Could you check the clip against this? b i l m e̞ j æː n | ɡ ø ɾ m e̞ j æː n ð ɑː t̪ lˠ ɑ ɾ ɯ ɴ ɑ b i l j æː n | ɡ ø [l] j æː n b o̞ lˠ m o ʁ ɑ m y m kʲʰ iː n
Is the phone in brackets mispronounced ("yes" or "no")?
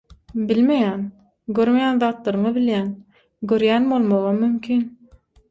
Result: yes